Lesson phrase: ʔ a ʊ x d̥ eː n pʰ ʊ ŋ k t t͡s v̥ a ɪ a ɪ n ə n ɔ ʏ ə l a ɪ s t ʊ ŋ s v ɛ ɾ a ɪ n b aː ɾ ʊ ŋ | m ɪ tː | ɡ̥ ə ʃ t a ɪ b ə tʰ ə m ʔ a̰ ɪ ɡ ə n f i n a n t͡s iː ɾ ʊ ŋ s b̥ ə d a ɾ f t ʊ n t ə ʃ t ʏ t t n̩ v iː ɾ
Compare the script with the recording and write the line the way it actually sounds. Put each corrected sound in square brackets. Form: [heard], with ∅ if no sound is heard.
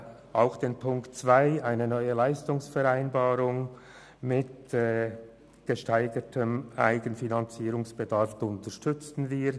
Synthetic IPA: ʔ a ʊ x d̥ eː n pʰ ʊ ŋ k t t͡s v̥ a ɪ a ɪ n ə n ɔ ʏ ə l a ɪ s t ʊ ŋ s [f] ɛ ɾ a ɪ n b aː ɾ ʊ ŋ | m ɪ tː | ɡ̥ ə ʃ t a ɪ [ɡ] ə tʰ ə m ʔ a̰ ɪ ɡ ə n f i n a n t͡s iː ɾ ʊ ŋ s b̥ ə d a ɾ f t ʊ n t ə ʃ t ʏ [t͡s] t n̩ v iː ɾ

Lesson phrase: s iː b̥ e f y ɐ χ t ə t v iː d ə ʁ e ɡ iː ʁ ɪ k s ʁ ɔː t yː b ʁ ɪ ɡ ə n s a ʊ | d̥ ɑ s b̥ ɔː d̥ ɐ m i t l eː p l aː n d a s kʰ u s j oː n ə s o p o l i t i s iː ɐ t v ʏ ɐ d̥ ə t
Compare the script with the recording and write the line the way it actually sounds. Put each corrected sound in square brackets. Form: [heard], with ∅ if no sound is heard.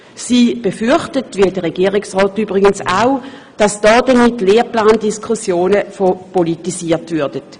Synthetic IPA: s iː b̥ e f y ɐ χ t ə t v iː d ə ʁ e ɡ iː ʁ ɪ k s ʁ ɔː t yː b ʁ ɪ ɡ ə n s a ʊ | d̥ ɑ s [d̥] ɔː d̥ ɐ m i t l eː p l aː n d [i] s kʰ u s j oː n ə [f] o p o l i t i s iː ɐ t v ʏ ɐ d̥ ə t

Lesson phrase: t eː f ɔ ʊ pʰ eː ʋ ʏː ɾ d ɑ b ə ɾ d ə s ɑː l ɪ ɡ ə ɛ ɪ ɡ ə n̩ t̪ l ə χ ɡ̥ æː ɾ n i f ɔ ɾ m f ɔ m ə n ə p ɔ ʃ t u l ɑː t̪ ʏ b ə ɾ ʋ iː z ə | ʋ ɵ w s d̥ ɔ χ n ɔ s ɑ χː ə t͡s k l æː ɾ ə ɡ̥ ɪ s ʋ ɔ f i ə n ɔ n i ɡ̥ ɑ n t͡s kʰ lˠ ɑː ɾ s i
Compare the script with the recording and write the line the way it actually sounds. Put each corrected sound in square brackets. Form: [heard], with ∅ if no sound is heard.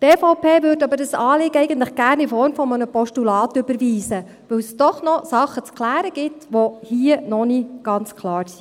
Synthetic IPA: t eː f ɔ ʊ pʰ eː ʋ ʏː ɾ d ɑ b ə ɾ d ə s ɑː l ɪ ɡ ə ɛ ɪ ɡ ə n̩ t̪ l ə χ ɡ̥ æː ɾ n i f ɔ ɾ m f ɔ m ə n ə p ɔ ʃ t u l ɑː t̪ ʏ b ə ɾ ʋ iː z ə | ʋ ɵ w s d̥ ɔ χ n ɔ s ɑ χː ə t͡s k l æː ɾ ə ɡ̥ ɪ [t] ʋ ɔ [h] i ə n ɔ n i ɡ̥ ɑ n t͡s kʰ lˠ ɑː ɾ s i

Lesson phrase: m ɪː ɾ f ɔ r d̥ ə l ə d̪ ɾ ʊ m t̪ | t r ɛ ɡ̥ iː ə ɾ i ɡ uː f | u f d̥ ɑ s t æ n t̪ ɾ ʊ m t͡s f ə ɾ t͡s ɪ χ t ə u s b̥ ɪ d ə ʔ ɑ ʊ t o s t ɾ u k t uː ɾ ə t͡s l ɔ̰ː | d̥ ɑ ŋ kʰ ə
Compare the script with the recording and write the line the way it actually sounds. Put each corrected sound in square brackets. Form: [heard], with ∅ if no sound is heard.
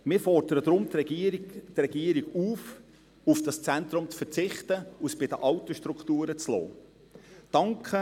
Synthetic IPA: m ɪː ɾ f ɔ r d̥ ə [ɾ] ə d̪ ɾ ʊ m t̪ | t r ɛ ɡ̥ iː ə ɾ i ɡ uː f | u f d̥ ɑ s [t͡s] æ n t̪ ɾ ʊ m t͡s f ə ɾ t͡s ɪ χ t ə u s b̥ ɪ d ə ʔ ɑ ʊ t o [ʃ] t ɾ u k t uː ɾ ə t͡s l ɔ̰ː | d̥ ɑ ŋ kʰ ə

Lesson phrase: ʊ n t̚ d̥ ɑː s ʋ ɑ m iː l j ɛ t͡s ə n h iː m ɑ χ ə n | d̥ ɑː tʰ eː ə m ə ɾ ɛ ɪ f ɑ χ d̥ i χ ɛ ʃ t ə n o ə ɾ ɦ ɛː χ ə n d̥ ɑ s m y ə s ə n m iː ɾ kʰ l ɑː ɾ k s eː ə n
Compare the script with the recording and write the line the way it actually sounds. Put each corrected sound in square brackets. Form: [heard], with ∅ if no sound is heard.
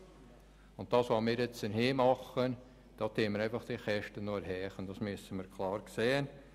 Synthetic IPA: ʊ n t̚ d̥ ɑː s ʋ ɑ m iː [ɾ] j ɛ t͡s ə n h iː m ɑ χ ə n | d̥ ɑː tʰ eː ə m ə ɾ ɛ ɪ f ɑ χ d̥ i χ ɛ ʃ t ə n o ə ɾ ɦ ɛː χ ə n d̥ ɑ s m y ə s ə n m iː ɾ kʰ l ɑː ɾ k s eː ə n

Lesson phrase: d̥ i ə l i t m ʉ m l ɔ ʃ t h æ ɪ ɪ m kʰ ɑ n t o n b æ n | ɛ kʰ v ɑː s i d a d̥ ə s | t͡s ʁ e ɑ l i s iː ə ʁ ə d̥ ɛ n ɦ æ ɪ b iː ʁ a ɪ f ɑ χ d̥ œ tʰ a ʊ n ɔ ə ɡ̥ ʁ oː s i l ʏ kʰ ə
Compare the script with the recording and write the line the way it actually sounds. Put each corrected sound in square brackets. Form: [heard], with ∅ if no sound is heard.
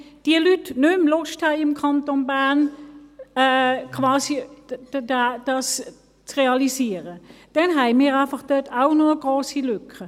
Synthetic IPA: d̥ i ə l [y] t [n] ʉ m l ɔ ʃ t h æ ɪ ɪ m kʰ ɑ n t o n b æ n | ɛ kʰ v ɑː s i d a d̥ [ɑ] s | t͡s ʁ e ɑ l i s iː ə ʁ ə d̥ ɛ n ɦ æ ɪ [m] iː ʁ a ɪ f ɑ χ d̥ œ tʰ a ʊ n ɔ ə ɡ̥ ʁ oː s i l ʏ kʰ ə

